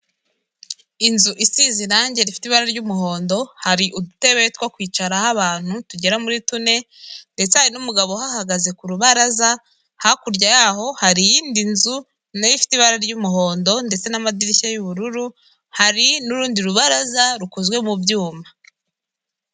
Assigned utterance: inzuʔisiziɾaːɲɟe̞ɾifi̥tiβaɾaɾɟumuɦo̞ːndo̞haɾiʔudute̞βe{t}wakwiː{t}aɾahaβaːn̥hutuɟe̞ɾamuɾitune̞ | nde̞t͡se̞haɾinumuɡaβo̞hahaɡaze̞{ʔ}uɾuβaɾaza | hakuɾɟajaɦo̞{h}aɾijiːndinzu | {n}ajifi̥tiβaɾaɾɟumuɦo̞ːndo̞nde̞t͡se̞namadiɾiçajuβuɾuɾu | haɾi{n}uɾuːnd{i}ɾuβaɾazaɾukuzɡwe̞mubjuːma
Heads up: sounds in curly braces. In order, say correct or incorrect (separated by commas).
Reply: correct, incorrect, incorrect, correct, correct, correct, correct